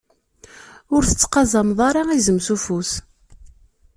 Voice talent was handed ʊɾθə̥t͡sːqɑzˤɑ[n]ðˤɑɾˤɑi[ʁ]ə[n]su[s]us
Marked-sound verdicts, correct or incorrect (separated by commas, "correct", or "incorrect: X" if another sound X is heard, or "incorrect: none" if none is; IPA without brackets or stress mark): incorrect: m, incorrect: z, incorrect: m, incorrect: f